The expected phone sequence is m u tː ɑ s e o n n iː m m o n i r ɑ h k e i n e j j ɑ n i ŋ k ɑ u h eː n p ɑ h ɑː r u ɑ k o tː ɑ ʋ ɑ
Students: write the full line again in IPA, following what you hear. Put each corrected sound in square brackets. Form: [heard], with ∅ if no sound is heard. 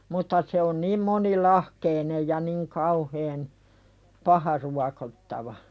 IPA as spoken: m u tː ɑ s e o n n iː m m o n i [l] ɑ h k e i n e j j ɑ n i ŋ k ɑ u h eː n p ɑ h [ɑ] r u ɑ k o tː ɑ ʋ ɑ